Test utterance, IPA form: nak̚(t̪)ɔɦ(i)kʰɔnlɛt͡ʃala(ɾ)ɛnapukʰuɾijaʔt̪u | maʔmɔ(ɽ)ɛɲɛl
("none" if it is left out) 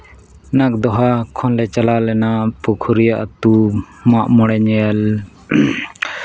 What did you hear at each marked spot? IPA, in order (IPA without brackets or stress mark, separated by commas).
d̪, a, l, ɽ